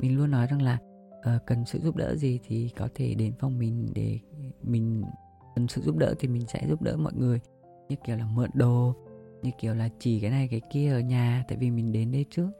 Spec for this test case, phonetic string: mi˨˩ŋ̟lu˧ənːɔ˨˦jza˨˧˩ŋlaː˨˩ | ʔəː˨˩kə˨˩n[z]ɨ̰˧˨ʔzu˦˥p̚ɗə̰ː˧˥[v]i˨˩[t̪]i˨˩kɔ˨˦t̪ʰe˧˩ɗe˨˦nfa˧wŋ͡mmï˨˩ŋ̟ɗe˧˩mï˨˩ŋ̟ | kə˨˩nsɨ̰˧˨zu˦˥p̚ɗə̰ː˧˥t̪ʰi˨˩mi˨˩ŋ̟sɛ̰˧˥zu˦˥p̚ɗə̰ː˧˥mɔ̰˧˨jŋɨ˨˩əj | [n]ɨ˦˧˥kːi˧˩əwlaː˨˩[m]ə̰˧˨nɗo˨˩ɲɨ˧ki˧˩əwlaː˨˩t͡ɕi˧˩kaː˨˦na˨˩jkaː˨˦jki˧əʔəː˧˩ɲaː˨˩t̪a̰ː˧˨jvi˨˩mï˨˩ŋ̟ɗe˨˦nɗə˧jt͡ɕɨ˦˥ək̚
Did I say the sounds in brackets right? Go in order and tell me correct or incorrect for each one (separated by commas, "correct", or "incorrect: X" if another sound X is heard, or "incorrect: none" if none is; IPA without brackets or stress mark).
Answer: incorrect: s, incorrect: z, incorrect: t̪ʰ, incorrect: ɲ, correct